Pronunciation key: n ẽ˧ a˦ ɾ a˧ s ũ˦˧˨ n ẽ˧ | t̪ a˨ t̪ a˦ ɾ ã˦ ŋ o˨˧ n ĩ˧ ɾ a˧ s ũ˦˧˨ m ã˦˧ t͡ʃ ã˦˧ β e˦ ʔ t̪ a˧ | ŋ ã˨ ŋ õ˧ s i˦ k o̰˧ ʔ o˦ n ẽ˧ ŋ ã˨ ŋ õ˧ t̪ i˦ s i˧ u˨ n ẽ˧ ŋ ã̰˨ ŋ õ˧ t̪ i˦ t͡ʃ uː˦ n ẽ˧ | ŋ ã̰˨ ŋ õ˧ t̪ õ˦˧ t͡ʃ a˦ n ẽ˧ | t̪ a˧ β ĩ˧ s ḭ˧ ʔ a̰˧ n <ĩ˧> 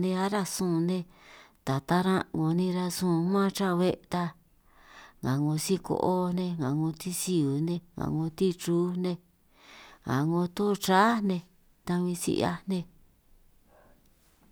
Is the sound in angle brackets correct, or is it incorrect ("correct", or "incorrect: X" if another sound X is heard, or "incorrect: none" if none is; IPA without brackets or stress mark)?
incorrect: ẽ˧